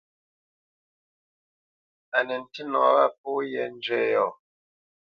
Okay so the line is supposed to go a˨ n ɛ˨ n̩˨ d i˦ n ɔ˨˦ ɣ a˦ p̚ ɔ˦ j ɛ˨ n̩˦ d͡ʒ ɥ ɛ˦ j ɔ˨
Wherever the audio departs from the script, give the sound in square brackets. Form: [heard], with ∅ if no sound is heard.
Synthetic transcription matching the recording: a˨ n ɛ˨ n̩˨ [t] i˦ n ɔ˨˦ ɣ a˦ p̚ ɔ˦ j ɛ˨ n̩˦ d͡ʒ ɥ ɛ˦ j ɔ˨

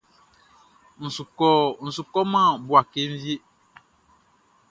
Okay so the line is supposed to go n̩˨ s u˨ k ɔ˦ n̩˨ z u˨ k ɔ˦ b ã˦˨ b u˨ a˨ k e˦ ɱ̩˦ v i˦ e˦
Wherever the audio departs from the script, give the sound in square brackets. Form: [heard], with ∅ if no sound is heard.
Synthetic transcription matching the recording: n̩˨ s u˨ k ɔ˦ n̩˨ [s] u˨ k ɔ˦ [m] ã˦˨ b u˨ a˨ k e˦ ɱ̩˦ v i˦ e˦

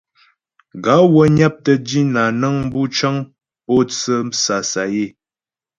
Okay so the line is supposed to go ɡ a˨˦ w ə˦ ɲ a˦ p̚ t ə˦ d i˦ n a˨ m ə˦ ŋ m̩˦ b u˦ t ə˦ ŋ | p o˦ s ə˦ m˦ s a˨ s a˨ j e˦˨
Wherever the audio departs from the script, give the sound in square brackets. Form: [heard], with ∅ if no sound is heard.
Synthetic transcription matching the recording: ɡ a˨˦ w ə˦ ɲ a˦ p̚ t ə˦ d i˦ n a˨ [n] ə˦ ŋ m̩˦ b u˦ [t͡ʃ] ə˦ ŋ | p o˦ [t͡s] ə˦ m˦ s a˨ s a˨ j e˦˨

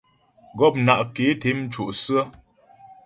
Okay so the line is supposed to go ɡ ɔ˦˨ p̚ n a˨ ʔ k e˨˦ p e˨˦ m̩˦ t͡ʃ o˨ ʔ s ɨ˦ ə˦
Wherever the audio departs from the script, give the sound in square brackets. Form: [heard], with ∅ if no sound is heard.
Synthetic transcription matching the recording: ɡ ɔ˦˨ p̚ n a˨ ʔ k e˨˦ [t] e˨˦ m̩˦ t͡ʃ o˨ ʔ s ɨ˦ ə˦

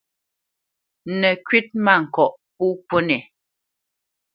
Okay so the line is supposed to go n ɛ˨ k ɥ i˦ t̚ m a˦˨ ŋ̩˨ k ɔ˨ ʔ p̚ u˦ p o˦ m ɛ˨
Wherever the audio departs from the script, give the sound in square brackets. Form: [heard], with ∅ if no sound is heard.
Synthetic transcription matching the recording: n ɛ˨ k ɥ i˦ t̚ m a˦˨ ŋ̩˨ k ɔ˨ ʔ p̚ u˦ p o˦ [n] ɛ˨

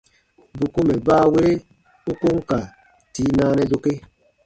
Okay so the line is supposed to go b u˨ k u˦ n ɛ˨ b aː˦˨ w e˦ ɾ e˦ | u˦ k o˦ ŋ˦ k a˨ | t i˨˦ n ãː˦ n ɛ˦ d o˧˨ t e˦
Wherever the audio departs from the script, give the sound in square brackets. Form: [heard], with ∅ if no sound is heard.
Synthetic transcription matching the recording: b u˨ k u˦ [m] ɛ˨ b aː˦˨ w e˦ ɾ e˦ | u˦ k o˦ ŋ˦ k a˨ | t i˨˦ n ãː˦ n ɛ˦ d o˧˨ [k] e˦

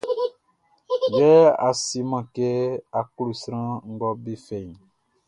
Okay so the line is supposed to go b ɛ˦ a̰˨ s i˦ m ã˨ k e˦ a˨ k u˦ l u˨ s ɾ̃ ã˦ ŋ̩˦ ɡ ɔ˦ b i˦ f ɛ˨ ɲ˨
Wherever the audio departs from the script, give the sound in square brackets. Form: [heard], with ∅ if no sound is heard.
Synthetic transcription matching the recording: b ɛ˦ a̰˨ s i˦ m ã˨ k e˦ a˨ k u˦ l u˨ s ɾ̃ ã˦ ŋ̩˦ ɡ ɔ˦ b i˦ f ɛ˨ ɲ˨

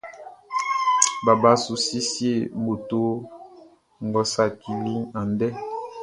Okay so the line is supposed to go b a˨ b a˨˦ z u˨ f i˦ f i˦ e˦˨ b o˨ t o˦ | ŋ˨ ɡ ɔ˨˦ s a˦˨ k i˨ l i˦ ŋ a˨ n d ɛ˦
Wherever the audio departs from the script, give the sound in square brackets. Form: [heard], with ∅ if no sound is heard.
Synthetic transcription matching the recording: b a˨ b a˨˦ [s] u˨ [s] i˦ [s] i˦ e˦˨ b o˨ t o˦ | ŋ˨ ɡ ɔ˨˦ s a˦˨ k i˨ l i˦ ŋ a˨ n d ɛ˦

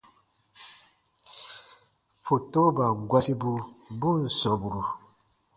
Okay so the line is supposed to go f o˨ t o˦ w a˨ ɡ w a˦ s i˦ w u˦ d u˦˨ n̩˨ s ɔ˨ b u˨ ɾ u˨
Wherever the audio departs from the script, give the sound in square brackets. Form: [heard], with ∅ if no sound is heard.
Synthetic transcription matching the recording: f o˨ t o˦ [b] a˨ ɡ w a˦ s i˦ [b] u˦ [b] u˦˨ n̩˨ s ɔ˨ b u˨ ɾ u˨

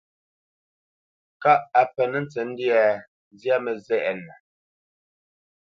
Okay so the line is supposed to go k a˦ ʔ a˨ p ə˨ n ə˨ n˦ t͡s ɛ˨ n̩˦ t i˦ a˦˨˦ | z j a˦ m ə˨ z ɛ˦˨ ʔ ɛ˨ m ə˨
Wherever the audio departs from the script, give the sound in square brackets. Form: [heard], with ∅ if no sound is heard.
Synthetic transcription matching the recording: k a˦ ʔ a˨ p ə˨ n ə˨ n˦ t͡s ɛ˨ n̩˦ [d] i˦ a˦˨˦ | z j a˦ m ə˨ z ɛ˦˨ ʔ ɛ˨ [n] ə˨

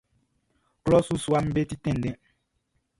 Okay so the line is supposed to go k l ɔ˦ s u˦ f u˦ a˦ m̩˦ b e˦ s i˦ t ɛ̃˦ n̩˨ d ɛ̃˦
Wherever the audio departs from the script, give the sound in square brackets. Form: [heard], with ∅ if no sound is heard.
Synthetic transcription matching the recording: k l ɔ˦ s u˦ [s] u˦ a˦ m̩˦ b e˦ [t] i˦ t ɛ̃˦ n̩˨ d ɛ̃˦

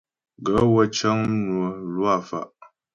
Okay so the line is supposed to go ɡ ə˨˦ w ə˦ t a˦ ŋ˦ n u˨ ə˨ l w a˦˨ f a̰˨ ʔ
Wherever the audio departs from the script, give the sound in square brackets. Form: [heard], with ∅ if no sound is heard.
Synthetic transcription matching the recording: ɡ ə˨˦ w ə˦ [t͡ʃ] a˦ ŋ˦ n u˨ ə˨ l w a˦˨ f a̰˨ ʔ

